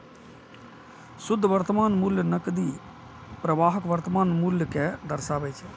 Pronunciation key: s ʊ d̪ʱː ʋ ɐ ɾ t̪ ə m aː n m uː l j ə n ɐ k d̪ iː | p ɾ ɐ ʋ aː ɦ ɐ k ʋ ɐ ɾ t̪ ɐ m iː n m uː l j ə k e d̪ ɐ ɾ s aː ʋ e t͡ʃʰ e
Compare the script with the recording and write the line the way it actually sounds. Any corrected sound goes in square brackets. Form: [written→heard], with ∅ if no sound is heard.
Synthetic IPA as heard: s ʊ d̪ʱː ʋ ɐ ɾ t̪ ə m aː n m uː l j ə n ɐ k d̪ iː | p ɾ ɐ ʋ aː ɦ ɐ k ʋ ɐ ɾ t̪ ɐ m [iː→aː] n m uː l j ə k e d̪ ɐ ɾ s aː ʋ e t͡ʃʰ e